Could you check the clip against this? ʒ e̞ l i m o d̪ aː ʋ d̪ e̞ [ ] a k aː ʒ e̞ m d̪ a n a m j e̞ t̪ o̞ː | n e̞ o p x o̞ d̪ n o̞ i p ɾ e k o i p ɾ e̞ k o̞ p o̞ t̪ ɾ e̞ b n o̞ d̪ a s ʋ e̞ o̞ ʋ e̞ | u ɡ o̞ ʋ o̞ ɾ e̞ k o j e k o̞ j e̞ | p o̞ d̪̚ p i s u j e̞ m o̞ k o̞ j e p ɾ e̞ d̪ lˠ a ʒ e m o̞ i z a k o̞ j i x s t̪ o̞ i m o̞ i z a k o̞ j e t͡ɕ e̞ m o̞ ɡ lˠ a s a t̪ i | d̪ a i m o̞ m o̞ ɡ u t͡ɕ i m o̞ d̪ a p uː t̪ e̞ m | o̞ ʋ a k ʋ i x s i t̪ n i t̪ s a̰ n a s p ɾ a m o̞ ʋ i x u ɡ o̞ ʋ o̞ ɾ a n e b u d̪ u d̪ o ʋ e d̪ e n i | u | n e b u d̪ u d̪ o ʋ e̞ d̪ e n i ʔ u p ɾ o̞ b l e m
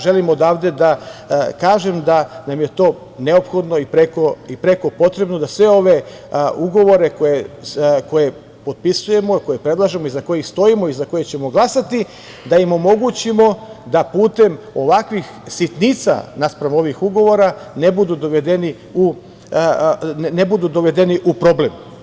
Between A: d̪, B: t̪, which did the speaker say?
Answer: A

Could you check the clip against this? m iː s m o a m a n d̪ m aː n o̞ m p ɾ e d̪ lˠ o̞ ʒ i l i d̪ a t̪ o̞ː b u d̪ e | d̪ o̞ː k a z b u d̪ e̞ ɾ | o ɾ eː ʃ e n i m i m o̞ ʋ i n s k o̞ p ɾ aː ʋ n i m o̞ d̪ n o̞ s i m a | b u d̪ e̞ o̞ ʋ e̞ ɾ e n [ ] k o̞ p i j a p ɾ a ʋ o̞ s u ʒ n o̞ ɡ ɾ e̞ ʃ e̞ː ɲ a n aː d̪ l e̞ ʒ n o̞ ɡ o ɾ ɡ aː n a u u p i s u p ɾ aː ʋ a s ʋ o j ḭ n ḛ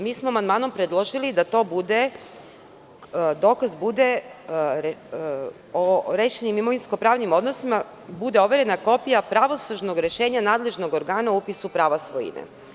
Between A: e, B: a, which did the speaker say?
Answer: B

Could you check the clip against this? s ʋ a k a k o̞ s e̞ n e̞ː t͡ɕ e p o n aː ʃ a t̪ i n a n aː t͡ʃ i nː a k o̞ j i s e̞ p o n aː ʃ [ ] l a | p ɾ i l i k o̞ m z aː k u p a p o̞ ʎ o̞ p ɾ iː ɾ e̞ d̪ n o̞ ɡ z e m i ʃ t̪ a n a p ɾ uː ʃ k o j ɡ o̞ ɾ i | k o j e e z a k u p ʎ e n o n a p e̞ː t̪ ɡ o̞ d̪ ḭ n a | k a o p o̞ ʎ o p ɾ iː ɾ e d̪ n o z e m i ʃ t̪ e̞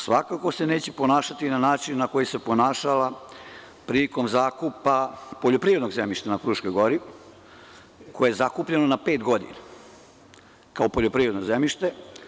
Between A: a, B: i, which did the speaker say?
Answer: A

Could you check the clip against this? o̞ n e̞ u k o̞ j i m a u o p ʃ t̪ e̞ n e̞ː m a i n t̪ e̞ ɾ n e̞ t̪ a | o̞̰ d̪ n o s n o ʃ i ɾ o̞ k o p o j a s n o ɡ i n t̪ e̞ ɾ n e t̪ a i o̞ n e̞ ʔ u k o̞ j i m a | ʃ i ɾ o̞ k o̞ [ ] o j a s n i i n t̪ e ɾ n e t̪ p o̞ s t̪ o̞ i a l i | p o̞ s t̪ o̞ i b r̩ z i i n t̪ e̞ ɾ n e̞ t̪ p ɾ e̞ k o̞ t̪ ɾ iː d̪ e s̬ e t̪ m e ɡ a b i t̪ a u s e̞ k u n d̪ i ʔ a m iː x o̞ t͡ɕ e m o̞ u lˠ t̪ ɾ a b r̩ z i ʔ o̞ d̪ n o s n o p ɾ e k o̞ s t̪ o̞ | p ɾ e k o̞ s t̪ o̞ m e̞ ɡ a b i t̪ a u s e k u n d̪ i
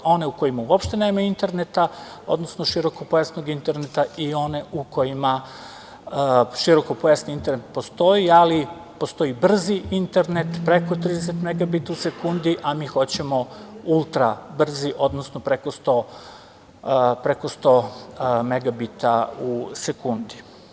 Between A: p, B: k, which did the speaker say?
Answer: A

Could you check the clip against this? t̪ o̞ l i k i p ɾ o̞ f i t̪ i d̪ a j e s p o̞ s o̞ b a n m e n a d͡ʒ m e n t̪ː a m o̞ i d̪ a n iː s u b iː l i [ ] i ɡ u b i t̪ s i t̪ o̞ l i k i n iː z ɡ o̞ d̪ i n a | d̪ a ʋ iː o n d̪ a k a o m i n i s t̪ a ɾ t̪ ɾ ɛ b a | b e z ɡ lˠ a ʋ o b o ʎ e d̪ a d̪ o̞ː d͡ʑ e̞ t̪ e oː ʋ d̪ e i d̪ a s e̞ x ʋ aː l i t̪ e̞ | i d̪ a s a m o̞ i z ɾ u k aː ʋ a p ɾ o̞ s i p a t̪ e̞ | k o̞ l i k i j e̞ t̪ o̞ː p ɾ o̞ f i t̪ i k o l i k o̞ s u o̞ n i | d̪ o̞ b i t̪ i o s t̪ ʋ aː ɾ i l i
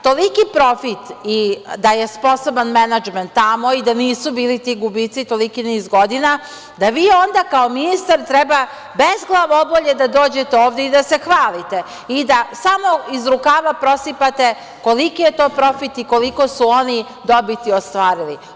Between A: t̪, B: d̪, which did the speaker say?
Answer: A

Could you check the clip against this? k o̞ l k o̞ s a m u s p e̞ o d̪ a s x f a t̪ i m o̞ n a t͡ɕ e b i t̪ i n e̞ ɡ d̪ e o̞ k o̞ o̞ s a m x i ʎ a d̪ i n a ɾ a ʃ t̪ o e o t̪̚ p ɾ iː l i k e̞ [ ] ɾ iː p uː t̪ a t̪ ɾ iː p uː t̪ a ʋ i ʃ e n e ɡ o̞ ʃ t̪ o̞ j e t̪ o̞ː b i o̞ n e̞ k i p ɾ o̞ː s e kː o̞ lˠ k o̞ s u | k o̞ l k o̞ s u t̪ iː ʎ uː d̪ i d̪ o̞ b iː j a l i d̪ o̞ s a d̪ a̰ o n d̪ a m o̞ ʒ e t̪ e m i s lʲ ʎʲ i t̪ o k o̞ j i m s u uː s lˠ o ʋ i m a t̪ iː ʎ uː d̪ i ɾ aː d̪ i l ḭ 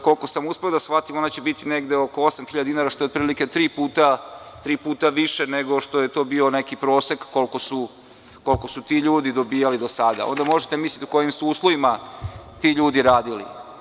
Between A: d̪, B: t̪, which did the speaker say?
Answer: B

